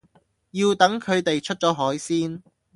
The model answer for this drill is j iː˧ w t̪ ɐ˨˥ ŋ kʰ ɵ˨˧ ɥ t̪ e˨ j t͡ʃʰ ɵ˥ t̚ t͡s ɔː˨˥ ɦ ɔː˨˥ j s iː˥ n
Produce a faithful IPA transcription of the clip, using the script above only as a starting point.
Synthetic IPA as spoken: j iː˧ w t̪ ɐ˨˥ ŋ kʰ ɵ˨˧ ɥ t̪ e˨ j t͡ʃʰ ɵ˥ t̚ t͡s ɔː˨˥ ɦ ɔː˨˥ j s iː˥ n

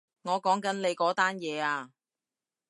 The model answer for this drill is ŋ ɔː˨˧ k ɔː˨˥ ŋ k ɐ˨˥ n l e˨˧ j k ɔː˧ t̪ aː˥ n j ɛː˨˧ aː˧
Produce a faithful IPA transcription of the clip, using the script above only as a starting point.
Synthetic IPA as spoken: ŋ ɔː˨˧ k ɔː˨˥ ŋ k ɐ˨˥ n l e˨˧ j k ɔː˨˥ t̪ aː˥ n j ɛː˨˧ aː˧

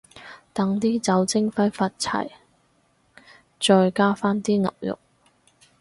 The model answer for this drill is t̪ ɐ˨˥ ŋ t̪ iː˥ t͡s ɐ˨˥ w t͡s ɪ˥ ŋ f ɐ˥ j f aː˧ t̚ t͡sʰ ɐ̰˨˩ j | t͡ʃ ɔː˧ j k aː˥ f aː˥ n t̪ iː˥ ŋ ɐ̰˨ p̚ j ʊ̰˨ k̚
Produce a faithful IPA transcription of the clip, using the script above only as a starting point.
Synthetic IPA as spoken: t̪ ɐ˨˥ ŋ t̪ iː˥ t͡s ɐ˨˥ w t͡s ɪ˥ ŋ f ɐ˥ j f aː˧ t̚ t͡sʰ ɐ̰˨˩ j | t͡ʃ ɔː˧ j k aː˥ f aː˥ n t̪ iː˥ ŋ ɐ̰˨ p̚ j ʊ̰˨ k̚

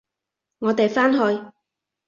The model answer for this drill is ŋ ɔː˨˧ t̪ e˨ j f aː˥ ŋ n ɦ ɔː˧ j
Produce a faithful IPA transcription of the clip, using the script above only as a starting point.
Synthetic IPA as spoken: ŋ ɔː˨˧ t̪ e˨ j f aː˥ n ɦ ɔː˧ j

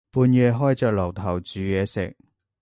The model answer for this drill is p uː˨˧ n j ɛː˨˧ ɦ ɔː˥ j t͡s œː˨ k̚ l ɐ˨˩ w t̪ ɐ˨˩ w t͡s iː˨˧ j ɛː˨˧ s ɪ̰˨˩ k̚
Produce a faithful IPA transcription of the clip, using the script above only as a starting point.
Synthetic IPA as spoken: p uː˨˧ n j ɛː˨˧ ɦ ɔː˥ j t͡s œː˨ k̚ l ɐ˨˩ w t̪ʰ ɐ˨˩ w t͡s yː˨˧ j ɛː˨˧ s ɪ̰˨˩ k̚

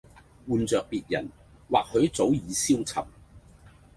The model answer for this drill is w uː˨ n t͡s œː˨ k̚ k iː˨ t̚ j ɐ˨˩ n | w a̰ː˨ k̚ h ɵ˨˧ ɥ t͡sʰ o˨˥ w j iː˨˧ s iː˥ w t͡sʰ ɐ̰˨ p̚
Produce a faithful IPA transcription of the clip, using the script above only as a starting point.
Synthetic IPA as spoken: w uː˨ n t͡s œː˨ k̚ p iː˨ t̚ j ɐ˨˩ n | w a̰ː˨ k̚ h ɵ˨˧ ɥ t͡s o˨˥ w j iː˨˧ s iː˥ w t͡sʰ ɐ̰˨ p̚

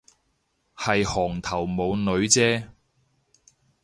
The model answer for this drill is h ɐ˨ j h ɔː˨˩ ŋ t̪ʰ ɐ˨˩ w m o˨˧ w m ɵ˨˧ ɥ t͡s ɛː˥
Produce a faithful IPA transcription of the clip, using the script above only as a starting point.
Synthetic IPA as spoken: h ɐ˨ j h ɔː˨˩ ŋ t̪ʰ ɐ˨˩ w m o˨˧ w n ɵ˨˧ ɥ t͡s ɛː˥

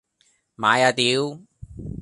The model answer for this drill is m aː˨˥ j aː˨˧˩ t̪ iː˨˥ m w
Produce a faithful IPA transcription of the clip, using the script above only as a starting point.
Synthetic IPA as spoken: m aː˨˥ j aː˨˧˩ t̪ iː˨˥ w

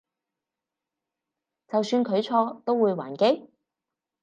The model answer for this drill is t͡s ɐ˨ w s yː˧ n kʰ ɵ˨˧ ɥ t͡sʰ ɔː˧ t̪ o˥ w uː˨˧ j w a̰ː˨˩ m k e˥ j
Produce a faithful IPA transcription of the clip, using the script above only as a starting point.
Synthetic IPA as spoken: t͡s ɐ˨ w s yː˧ n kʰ ɵ˨˧ ɥ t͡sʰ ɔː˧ t̪ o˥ w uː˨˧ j w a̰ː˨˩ n k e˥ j

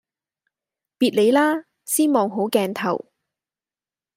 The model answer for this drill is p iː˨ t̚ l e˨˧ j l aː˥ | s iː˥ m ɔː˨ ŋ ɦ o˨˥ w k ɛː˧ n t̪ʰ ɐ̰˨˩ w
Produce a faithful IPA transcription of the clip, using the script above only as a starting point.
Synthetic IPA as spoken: p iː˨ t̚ l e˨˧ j l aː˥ | s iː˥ m ɔː˨ ŋ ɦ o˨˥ w k ɛː˧ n t̪ʰ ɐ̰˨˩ w

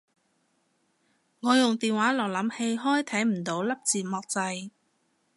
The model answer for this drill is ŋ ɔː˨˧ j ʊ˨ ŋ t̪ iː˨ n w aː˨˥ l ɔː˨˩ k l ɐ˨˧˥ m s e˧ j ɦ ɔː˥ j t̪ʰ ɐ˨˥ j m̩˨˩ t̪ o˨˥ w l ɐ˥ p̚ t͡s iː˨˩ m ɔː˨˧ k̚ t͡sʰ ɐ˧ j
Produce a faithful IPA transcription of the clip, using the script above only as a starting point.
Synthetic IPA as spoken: ŋ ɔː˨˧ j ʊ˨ ŋ t̪ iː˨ n w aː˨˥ l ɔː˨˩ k l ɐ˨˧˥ m h e˧ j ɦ ɔː˥ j t̪ʰ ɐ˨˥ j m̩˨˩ t̪ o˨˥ w l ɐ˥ p̚ t͡s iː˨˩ m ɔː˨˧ k̚ t͡s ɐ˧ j

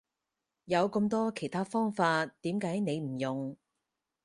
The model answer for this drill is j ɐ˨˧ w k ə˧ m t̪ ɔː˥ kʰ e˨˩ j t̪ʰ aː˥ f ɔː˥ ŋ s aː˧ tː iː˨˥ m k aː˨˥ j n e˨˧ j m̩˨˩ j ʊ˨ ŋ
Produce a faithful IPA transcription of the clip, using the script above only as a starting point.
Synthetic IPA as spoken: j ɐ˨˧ w k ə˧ m t̪ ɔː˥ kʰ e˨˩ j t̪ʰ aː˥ f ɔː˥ ŋ f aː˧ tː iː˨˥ m k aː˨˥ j n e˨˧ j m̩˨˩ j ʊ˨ ŋ

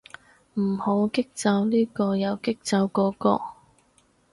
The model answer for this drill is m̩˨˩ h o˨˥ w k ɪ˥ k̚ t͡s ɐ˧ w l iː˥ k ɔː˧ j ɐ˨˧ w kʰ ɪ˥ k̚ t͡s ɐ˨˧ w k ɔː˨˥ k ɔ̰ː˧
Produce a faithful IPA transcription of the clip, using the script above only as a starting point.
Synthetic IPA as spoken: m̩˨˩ h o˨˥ w k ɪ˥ k̚ t͡s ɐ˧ w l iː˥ k ɔː˧ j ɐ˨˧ w k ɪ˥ k̚ t͡s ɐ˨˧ w k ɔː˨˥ k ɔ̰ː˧

